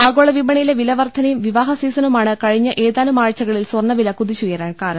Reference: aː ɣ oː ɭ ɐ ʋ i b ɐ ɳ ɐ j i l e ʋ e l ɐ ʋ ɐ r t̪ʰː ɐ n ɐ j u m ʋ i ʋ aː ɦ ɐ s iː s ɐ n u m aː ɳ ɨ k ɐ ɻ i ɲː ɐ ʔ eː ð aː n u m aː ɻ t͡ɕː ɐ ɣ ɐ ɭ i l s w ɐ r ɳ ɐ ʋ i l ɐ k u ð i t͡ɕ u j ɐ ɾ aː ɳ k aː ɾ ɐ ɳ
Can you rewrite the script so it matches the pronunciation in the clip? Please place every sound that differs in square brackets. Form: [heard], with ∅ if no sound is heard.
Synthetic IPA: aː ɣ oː ɭ ɐ ʋ i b ɐ ɳ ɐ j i l e ʋ [i] l ɐ ʋ ɐ r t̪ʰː ɐ n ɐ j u m ʋ i ʋ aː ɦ ɐ s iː s ɐ n u m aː ɳ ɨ k ɐ ɻ i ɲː ɐ ʔ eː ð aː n u m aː ɻ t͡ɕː ɐ ɣ ɐ ɭ i l s w ɐ r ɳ ɐ ʋ i l ɐ k u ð i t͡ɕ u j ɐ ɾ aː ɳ k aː ɾ ɐ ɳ